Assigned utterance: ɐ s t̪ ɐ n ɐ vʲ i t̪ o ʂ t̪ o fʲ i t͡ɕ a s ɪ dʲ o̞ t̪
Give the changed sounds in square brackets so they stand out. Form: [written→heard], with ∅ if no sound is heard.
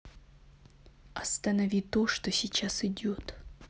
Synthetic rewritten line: ɐ s t̪ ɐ n ɐ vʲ i t̪ o ʂ t̪ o [fʲ→sʲ] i t͡ɕ a s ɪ dʲ o̞ t̪